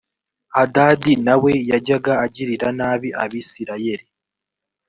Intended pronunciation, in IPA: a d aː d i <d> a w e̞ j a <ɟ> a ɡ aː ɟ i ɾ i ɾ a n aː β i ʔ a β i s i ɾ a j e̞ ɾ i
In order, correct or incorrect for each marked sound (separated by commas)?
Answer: incorrect, correct